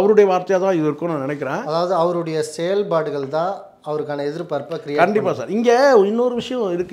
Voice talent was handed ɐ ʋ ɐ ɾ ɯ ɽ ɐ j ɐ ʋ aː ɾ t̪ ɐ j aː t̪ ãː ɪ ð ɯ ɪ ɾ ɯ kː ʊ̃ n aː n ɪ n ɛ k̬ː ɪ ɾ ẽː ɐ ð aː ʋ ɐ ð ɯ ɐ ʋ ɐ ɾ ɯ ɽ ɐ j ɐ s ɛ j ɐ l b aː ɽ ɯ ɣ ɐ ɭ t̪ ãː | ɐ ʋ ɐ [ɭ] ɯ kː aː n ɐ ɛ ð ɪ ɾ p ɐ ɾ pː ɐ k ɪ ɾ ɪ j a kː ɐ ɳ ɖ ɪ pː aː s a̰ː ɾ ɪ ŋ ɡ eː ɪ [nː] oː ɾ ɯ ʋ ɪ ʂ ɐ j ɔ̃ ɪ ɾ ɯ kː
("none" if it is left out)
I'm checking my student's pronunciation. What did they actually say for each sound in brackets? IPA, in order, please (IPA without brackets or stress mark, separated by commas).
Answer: ɾ, nː